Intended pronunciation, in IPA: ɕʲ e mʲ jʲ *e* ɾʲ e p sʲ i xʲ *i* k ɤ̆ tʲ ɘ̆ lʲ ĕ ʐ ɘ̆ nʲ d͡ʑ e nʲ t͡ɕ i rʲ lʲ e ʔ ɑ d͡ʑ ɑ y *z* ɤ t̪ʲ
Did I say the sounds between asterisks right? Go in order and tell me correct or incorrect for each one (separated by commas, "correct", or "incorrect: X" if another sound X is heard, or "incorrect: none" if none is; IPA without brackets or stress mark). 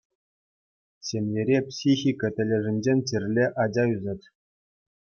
correct, correct, correct